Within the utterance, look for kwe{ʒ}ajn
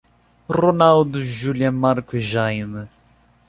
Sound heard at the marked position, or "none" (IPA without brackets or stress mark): ʒ